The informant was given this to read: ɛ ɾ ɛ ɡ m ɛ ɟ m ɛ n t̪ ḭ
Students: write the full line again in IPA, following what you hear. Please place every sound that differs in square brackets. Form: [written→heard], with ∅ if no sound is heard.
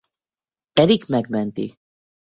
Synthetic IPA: ɛ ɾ [ɛ→i] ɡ m ɛ [ɟ→ɡ] m ɛ n t̪ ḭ